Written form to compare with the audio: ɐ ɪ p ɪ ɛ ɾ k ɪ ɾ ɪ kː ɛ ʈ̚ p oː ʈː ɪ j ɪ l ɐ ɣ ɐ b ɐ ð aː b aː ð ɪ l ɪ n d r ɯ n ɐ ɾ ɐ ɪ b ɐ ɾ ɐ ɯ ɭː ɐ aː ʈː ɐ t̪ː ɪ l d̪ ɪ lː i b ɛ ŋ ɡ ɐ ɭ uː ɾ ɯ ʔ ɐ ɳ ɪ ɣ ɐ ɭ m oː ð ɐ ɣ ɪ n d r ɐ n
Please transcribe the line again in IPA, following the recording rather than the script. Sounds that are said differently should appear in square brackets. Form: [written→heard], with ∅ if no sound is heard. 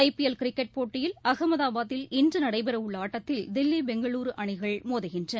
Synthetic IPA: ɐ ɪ p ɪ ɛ [ɾ→l] k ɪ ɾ ɪ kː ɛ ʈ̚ p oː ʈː ɪ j ɪ l ɐ ɣ ɐ [b→m] ɐ ð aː b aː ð ɪ l ɪ n d r ɯ n ɐ [ɾ→ɽ] ɐ ɪ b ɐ ɾ ɐ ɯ ɭː ɐ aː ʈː ɐ t̪ː ɪ l d̪ ɪ lː i b ɛ ŋ ɡ ɐ ɭ uː ɾ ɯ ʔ ɐ ɳ ɪ ɣ ɐ ɭ m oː ð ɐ ɣ ɪ n d r ɐ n